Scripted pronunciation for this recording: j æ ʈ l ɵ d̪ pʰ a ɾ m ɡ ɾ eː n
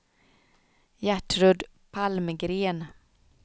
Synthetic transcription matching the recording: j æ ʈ ɾ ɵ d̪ pʰ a l m ɡ ɾ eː n